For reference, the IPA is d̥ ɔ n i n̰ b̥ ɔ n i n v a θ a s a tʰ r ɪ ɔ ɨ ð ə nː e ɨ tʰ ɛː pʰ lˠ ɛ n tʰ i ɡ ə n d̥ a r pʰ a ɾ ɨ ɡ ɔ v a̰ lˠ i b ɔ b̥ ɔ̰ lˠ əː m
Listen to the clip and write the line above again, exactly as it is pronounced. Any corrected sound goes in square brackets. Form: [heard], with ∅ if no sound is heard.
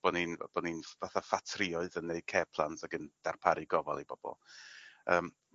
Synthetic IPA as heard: [b̥] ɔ n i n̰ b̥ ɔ n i n v a θ a [f] a tʰ r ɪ ɔ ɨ ð ə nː e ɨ [kʰ] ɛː pʰ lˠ [a] n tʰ [a] ɡ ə n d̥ a r pʰ a ɾ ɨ ɡ ɔ v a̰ lˠ i b ɔ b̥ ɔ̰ lˠ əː m